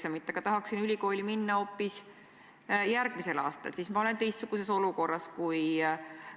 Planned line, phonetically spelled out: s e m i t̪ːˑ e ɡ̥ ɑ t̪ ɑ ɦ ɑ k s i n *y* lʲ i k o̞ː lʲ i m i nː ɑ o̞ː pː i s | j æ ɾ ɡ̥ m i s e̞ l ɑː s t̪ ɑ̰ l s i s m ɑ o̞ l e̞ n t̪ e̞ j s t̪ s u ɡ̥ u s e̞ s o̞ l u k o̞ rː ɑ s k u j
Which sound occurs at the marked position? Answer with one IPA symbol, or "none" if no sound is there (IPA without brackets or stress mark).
y